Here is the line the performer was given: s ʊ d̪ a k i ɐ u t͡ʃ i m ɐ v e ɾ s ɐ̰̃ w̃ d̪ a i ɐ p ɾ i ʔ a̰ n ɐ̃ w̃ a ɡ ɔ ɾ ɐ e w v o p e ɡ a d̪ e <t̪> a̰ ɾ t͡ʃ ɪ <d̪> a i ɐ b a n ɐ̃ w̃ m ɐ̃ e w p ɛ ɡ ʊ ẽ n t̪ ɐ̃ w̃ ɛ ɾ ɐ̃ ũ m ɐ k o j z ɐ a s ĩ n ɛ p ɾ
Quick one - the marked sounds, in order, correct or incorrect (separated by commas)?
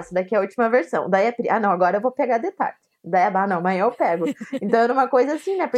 correct, correct